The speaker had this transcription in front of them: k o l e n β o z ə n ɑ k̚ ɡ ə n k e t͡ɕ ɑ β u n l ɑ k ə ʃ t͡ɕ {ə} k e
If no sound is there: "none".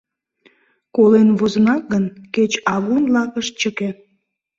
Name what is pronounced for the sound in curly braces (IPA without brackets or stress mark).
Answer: ə